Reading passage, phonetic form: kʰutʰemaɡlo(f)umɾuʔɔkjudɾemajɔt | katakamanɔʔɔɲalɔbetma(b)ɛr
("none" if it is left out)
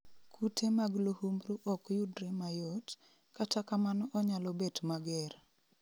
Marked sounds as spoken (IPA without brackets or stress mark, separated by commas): h, ɡ